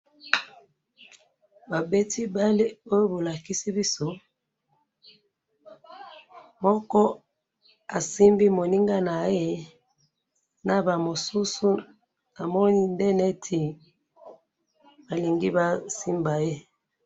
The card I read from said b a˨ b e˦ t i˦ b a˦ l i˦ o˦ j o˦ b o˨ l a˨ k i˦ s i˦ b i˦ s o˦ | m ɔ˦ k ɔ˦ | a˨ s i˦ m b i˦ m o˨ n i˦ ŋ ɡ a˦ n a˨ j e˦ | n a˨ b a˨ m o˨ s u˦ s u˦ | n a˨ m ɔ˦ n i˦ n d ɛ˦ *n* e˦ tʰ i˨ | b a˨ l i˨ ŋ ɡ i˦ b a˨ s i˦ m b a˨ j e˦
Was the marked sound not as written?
no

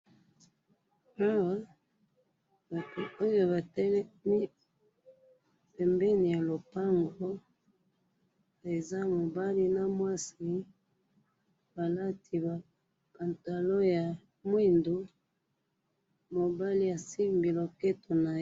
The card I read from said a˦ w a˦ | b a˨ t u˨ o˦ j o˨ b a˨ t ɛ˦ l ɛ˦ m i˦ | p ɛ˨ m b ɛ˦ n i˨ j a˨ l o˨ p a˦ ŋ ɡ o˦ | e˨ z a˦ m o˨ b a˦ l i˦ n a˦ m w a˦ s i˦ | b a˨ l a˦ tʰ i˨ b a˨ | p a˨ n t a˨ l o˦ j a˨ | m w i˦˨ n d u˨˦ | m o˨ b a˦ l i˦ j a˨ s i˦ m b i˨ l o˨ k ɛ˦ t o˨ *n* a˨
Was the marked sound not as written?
no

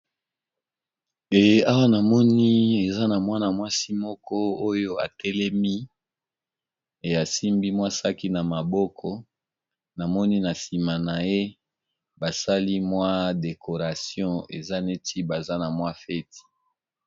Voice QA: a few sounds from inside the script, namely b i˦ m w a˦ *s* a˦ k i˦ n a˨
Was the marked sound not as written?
no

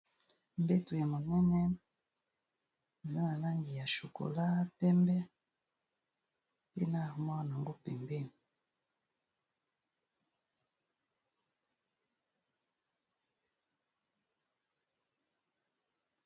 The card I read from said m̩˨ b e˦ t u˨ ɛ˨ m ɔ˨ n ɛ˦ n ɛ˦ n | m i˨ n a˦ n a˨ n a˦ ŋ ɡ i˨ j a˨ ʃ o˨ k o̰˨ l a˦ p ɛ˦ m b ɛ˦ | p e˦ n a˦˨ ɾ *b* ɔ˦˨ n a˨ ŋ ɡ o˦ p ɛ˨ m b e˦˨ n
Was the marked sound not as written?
yes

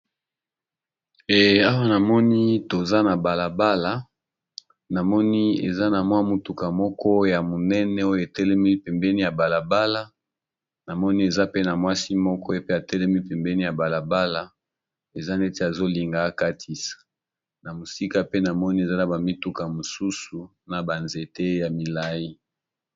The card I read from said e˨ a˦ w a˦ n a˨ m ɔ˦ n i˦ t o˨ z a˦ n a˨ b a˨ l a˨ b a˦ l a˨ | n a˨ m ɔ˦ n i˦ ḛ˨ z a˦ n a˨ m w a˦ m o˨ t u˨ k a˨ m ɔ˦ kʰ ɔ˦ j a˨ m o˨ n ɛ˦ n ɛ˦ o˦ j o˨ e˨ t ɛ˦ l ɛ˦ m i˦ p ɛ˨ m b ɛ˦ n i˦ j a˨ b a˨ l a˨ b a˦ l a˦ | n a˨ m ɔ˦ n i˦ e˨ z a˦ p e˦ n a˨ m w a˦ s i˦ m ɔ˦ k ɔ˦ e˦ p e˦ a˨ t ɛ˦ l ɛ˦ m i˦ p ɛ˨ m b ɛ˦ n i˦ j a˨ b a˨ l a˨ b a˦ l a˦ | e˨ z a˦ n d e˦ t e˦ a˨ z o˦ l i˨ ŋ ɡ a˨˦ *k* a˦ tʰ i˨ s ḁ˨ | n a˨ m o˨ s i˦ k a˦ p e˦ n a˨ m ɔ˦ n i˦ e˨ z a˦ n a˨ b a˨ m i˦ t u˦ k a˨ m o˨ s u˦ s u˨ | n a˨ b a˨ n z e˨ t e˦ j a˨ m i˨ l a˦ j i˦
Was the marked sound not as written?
no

